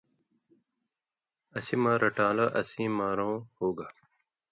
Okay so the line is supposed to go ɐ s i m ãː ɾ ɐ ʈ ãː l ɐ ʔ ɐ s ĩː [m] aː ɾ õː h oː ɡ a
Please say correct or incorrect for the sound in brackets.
correct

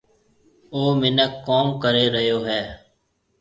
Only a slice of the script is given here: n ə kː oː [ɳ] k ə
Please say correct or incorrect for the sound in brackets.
incorrect: m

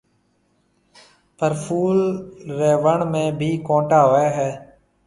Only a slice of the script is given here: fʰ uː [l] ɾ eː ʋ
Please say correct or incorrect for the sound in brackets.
correct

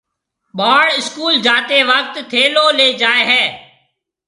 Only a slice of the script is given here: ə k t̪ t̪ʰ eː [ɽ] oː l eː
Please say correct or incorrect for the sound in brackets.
incorrect: l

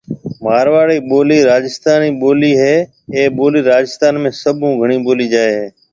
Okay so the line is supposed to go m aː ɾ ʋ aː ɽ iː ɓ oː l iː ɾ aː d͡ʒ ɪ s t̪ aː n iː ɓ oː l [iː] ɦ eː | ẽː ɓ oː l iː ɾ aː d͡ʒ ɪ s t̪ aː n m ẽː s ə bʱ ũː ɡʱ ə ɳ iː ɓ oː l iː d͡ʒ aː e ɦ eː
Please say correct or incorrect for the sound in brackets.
correct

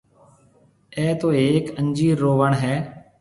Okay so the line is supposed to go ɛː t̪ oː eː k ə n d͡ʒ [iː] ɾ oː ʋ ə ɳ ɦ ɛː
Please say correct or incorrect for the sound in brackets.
correct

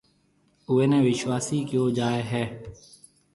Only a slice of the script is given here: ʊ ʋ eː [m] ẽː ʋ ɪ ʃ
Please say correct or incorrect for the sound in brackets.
incorrect: n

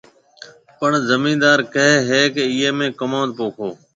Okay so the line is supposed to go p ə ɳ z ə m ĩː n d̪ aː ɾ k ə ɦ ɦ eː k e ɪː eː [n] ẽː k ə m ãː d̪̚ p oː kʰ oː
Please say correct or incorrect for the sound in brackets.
incorrect: m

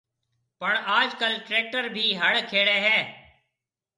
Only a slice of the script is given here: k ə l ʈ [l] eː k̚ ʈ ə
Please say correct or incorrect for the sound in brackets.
incorrect: ɾ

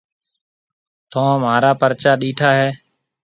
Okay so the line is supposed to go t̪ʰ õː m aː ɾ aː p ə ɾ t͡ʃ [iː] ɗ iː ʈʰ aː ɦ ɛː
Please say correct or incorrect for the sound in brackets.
incorrect: aː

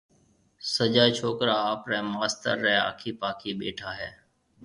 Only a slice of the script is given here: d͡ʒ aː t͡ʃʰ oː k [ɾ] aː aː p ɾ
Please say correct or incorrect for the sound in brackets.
correct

